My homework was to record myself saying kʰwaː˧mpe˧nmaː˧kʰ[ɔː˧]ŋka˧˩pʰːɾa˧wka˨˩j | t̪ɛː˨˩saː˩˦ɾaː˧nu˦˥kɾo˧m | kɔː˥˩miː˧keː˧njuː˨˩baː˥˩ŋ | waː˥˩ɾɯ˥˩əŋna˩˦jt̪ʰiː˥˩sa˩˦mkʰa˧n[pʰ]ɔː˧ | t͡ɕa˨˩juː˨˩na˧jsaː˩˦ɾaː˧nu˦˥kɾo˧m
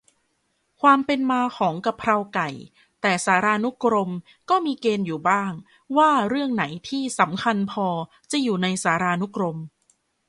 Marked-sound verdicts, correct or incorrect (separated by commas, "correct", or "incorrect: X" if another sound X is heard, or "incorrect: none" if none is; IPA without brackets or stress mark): incorrect: ɔː˩˦, correct